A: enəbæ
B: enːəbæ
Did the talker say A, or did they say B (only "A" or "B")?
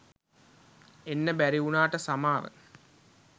B